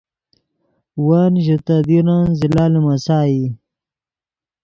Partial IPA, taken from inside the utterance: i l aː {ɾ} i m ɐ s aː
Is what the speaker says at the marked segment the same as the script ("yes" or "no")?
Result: no